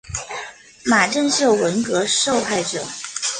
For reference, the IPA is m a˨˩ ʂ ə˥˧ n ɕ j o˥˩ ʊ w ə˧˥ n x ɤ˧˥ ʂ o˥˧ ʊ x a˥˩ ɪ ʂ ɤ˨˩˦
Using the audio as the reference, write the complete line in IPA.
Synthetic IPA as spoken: m a˨˩ ʈ͡ʂ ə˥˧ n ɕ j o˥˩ ʊ w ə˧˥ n k ɤ˧˥ ʂ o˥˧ ʊ x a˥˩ ɪ ʈ͡ʂ ɤ˨˩˦